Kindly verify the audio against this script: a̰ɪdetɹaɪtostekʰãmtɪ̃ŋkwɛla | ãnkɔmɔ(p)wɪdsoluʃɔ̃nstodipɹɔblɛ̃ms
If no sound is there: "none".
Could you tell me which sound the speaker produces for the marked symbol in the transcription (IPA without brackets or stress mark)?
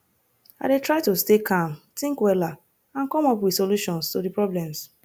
p